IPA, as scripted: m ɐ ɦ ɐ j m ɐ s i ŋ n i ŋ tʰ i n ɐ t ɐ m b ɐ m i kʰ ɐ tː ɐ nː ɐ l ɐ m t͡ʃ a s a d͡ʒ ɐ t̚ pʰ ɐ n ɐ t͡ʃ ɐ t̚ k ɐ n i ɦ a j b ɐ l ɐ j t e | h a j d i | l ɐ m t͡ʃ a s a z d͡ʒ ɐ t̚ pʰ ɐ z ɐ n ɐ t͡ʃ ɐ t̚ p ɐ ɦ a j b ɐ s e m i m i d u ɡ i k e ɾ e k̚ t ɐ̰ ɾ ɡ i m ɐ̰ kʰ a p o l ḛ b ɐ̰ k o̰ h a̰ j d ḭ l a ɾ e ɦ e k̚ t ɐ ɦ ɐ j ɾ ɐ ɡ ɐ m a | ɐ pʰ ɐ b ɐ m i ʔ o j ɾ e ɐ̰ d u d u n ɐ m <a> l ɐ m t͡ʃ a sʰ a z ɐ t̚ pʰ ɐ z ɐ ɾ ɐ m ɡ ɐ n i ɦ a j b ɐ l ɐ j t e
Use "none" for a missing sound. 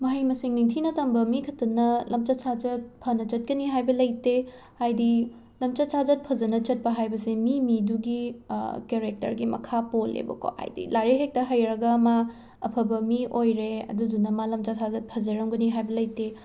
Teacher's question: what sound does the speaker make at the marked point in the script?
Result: a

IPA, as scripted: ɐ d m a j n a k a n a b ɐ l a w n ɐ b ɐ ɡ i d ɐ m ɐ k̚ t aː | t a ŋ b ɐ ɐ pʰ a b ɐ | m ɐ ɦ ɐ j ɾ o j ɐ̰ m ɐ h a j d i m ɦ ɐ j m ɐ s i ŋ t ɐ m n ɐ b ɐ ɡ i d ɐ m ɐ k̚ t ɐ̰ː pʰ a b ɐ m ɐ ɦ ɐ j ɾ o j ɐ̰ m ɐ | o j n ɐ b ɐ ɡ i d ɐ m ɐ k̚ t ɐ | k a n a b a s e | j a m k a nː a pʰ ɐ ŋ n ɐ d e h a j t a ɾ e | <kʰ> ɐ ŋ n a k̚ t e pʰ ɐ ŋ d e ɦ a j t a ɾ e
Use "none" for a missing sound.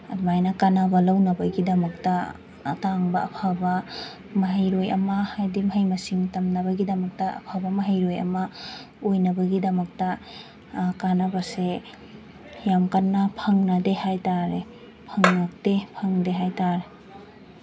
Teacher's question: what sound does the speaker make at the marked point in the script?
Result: pʰ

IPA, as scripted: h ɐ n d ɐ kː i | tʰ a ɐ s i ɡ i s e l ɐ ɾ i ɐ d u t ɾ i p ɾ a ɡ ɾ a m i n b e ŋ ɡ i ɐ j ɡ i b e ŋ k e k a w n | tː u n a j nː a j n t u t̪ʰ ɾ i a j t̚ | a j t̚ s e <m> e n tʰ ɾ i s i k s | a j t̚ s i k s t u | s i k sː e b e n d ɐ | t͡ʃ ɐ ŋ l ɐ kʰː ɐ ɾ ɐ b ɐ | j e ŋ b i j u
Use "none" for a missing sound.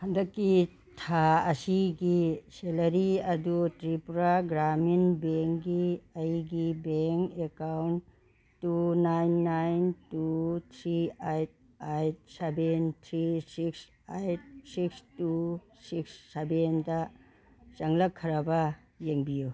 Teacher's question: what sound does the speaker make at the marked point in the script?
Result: b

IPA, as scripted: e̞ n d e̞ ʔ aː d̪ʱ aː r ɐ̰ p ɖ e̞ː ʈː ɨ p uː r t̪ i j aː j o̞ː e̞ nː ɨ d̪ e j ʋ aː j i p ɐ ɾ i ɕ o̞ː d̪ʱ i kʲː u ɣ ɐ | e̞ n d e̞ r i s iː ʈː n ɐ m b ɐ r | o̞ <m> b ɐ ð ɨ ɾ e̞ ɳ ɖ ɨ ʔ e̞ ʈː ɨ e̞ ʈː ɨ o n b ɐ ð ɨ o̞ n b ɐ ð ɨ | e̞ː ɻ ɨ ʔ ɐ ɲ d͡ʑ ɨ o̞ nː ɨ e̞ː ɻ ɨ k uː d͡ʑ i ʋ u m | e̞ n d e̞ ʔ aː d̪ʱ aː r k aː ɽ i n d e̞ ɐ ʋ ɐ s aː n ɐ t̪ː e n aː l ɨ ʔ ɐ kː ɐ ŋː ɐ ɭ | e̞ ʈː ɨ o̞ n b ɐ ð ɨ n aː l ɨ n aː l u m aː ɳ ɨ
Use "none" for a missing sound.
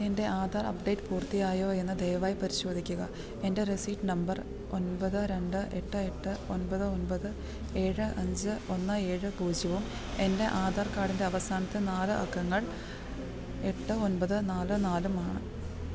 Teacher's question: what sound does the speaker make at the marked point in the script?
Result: n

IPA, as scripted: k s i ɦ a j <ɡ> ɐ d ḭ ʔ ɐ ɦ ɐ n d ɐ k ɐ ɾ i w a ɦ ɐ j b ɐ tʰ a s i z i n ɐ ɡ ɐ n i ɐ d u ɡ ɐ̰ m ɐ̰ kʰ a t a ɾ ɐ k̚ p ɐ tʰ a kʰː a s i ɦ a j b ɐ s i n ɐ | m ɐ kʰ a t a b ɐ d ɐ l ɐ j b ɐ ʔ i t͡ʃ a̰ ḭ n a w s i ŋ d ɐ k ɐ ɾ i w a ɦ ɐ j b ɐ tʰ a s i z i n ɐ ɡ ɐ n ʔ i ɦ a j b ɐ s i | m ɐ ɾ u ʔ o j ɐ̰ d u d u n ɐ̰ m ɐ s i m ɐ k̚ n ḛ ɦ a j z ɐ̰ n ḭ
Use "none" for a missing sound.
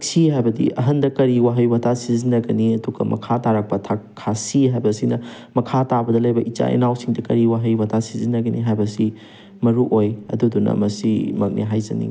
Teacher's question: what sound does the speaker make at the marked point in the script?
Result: b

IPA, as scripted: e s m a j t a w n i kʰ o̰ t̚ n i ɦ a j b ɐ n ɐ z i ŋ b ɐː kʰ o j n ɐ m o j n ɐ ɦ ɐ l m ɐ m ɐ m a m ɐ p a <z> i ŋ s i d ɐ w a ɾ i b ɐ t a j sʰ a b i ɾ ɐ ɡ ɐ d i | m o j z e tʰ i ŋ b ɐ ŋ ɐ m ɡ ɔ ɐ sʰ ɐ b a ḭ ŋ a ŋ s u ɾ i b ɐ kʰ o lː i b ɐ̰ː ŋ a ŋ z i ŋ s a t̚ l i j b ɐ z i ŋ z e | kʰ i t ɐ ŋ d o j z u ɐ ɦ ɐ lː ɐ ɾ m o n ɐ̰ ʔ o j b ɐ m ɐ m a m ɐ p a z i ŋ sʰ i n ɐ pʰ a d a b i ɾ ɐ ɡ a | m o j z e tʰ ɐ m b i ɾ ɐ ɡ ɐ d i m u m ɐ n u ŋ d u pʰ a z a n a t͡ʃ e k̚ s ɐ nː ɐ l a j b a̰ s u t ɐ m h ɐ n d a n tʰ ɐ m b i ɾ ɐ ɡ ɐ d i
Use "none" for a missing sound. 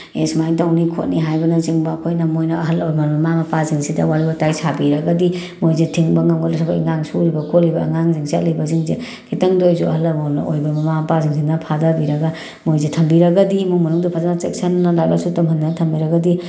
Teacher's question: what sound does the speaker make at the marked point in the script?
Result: z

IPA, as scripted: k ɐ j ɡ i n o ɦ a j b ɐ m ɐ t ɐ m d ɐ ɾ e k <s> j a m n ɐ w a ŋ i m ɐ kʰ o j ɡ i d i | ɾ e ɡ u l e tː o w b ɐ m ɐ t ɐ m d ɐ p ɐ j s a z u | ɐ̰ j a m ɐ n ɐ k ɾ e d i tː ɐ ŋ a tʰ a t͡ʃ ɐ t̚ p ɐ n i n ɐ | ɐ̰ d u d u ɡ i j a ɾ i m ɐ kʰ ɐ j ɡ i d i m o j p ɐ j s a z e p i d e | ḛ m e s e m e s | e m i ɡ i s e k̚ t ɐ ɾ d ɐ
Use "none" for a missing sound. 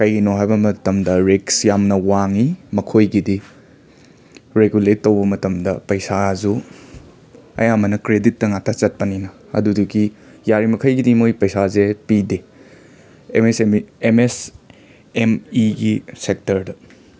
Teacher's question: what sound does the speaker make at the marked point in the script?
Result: s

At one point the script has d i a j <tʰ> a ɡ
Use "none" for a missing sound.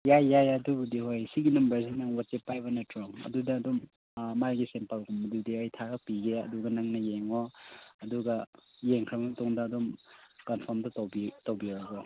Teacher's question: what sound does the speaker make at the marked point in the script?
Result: tʰ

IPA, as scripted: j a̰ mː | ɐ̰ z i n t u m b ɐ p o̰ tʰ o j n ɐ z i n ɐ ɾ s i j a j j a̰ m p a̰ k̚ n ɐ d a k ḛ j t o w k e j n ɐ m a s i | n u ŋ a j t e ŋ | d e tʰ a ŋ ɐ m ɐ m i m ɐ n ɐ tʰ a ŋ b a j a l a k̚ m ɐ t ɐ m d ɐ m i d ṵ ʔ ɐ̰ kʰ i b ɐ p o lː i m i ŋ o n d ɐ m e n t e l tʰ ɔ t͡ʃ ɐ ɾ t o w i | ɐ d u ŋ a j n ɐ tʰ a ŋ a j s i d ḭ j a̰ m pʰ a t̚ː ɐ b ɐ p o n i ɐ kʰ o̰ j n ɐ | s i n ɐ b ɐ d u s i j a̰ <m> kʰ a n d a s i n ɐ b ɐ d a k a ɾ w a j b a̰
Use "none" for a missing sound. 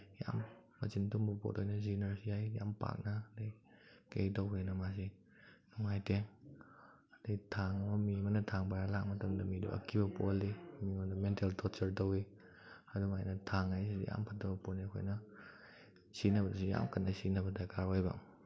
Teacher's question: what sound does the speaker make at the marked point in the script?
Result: m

